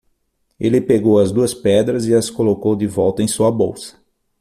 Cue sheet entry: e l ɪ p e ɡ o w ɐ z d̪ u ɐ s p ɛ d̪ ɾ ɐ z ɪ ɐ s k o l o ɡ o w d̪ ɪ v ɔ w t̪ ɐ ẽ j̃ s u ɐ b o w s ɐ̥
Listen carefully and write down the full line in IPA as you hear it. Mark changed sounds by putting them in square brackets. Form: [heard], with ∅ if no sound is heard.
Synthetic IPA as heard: e l ɪ p e ɡ o w ɐ z d̪ u ɐ s p ɛ d̪ ɾ ɐ z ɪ ɐ s k o l o [k] o w d̪ ɪ v ɔ w t̪ ɐ ẽ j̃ s u ɐ b o w s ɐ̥